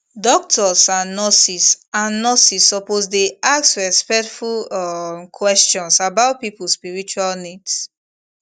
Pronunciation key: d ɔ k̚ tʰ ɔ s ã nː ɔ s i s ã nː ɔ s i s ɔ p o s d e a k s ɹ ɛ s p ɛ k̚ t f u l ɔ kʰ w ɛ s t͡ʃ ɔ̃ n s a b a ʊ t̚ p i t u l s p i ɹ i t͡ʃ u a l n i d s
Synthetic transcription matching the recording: d ɔ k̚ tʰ ɔ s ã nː ɔ s i s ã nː ɔ s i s ɔ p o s d e a k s ɹ ɛ s p ɛ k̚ t f u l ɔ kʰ w ɛ s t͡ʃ ɔ̃ n s a b a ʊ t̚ p i p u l s p i ɹ i t͡ʃ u a l n i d s